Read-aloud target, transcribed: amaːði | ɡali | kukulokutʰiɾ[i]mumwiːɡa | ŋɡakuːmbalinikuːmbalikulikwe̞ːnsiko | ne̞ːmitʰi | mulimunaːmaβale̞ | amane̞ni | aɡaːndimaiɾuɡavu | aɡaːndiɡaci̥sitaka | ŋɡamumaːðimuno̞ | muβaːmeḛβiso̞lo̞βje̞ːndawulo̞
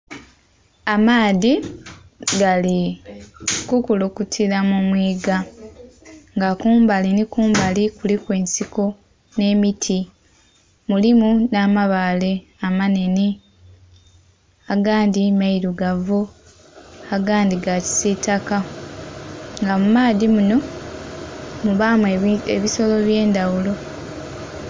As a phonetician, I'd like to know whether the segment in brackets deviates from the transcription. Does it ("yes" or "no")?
yes